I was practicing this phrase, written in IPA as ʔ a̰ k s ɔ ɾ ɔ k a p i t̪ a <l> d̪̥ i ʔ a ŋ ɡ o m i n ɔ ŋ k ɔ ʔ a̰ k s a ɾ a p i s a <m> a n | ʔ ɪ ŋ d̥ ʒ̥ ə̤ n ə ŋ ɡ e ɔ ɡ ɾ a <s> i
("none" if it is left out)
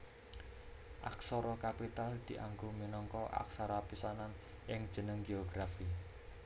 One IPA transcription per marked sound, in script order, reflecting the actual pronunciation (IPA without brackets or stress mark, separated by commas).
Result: l, n, f